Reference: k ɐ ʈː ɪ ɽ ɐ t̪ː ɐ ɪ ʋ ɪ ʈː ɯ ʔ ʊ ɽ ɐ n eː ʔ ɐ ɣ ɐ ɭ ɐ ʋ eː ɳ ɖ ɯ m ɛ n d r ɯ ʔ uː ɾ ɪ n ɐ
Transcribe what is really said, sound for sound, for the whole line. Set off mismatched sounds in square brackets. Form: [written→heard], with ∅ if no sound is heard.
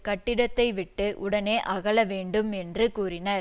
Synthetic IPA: k ɐ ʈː ɪ ɽ ɐ t̪ː ɐ ɪ ʋ ɪ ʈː ɯ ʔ ʊ ɽ ɐ n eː ʔ ɐ ɣ ɐ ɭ ɐ ʋ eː ɳ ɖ ɯ m ɛ n d r ɯ [ʔ→k] uː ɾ ɪ n ɐ